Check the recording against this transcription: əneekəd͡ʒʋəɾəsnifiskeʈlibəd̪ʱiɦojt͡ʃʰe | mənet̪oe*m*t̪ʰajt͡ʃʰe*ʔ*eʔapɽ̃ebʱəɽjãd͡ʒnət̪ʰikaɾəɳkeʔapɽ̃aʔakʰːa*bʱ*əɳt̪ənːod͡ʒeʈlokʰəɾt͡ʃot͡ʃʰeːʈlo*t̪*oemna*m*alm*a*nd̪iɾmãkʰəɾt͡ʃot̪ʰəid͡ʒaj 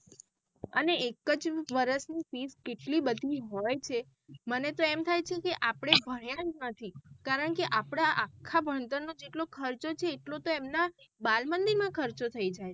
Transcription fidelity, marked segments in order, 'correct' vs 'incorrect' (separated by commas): correct, incorrect, correct, correct, incorrect, incorrect